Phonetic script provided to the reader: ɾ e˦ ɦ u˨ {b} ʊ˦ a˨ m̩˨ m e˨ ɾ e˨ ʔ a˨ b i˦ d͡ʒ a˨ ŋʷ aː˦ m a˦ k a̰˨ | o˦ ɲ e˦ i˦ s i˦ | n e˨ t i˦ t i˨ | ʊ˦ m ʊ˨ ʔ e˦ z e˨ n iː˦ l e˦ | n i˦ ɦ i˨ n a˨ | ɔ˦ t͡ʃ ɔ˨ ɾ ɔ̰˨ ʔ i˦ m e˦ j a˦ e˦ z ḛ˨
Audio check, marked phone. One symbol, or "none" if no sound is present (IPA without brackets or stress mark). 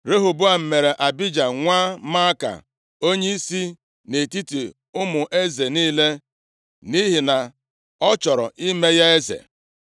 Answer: b